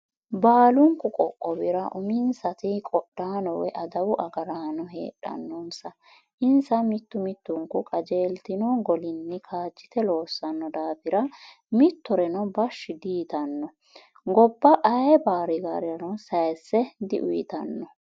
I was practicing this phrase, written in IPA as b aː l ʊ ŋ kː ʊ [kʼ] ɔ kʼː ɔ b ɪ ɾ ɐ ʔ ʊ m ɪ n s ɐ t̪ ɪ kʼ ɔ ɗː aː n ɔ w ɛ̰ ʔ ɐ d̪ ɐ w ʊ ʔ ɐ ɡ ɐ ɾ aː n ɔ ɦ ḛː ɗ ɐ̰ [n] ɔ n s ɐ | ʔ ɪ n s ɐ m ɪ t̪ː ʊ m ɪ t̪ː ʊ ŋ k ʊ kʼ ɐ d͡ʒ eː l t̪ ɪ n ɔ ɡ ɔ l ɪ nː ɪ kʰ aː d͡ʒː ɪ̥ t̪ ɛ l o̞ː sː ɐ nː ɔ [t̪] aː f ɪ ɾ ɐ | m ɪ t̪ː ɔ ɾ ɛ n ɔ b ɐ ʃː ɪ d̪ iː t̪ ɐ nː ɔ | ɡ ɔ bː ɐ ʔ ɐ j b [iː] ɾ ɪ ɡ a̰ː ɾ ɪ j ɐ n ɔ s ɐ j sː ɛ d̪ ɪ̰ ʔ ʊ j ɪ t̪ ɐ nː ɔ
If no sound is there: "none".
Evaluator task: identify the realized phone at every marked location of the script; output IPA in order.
kʼ, nː, d̪, aː

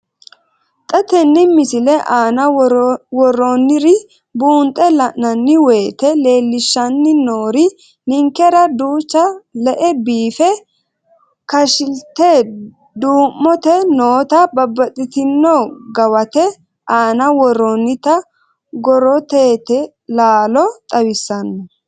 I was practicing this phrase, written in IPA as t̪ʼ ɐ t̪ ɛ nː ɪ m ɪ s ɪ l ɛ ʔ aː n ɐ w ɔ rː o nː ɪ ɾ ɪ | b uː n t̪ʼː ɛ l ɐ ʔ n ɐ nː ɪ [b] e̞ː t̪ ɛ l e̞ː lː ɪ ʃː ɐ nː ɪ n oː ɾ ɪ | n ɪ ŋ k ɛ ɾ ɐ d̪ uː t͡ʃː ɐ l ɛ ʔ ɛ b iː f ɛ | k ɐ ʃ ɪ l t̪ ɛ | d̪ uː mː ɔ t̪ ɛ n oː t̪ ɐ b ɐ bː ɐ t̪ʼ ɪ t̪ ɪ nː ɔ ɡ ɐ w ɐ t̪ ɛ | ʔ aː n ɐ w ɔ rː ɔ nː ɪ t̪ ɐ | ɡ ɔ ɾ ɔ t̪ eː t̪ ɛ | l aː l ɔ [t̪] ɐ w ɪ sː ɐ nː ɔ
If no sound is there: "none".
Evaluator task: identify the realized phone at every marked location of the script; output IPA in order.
w, t̪ʼ

